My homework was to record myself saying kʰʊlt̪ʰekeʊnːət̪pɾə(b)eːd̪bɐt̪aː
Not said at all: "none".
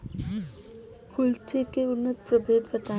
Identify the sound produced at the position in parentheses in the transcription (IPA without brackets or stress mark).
b